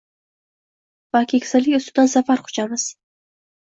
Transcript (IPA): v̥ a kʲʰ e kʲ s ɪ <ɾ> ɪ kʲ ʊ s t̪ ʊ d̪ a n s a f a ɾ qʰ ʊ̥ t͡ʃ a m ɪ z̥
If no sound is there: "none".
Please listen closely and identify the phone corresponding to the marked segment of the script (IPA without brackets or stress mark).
l